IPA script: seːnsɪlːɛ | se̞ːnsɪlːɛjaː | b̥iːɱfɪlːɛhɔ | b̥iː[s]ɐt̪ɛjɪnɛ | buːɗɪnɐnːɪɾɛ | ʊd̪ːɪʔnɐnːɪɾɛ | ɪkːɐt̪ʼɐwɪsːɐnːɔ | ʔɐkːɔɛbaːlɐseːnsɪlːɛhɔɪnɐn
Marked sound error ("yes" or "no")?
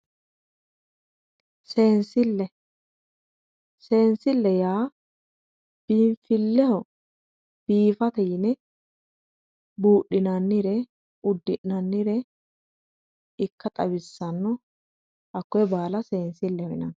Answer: yes